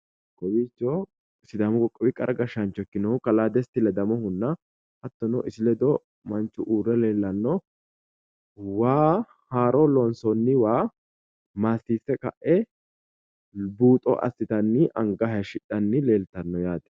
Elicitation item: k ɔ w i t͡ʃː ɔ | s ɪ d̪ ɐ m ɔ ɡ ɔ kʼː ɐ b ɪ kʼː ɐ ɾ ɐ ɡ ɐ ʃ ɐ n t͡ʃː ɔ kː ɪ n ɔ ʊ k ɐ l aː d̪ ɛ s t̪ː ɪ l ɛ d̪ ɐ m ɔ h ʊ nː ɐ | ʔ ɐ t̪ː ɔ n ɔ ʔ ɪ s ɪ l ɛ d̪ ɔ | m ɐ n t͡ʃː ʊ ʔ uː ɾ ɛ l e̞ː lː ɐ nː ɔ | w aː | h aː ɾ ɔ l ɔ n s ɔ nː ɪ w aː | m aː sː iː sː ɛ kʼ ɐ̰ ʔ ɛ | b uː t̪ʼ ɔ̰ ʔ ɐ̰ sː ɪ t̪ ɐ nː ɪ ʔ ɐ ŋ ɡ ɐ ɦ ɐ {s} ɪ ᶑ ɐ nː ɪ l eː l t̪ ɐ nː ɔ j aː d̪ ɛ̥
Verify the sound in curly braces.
incorrect: ʃ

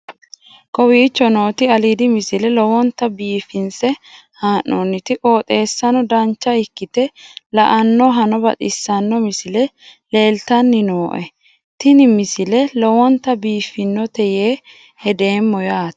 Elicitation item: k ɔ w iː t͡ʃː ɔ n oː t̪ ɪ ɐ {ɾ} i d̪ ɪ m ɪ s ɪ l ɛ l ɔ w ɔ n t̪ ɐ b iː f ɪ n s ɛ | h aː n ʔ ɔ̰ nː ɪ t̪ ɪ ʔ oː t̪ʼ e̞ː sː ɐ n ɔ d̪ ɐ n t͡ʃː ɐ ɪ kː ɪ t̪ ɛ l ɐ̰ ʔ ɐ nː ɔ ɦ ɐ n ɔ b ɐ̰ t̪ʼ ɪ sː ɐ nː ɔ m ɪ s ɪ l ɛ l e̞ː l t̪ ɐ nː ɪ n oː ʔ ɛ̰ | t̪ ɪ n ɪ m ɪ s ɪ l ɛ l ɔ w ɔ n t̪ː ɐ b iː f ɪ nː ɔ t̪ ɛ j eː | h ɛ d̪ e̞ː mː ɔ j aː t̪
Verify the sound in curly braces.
incorrect: l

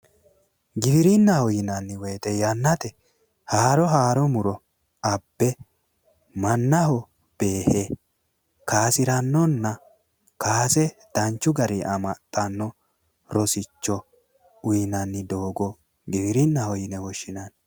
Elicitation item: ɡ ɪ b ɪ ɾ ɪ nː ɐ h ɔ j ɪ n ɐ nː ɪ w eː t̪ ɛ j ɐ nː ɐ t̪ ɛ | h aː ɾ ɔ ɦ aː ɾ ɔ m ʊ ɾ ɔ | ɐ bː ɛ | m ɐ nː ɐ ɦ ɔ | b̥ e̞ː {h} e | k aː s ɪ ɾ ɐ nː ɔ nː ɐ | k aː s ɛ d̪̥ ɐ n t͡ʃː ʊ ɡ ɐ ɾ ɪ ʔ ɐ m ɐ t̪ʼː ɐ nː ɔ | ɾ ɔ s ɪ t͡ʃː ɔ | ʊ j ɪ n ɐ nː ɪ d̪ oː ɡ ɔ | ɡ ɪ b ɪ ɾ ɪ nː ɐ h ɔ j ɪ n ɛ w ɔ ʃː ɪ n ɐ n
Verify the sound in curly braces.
correct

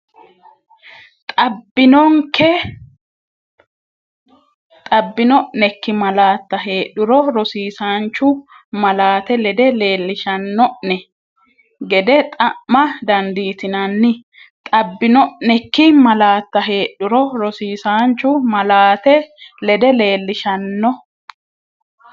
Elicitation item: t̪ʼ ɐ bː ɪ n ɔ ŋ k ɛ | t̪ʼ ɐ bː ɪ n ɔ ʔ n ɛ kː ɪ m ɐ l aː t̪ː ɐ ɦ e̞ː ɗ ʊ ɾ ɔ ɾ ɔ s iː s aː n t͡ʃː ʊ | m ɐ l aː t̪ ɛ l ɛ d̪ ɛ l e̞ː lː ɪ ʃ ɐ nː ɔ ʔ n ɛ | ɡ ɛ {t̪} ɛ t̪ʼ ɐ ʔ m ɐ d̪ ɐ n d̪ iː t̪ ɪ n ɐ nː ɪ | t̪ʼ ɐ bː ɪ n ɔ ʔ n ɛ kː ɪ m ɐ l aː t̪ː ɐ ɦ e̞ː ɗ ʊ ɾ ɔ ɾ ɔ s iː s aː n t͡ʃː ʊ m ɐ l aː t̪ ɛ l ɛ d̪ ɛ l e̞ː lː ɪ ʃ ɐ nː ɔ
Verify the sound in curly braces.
incorrect: d̪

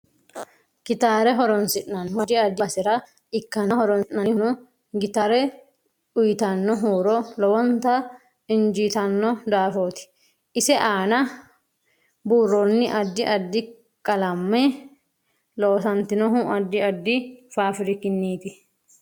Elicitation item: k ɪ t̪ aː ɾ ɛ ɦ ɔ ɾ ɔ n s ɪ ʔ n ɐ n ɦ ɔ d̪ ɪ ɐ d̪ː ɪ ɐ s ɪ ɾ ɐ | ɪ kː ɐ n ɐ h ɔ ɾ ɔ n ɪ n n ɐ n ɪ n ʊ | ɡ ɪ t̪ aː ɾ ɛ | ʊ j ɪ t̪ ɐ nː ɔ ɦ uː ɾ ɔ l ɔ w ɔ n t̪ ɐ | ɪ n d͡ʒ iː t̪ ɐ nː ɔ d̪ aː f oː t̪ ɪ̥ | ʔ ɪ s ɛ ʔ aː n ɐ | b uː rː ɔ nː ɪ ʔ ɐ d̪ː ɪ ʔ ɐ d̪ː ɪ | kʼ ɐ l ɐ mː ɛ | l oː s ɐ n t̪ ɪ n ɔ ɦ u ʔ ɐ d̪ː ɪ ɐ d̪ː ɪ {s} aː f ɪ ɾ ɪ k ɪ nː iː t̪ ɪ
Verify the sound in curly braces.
incorrect: f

